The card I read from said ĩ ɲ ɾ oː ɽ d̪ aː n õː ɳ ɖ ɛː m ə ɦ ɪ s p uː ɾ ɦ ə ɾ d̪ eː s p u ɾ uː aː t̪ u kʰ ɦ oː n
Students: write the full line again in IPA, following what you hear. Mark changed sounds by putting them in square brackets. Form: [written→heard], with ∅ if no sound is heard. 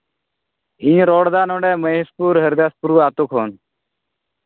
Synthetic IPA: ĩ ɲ ɾ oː ɽ d̪ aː n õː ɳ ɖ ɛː m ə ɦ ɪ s p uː ɾ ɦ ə ɾ d̪ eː s p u ɾ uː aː t̪ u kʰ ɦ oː n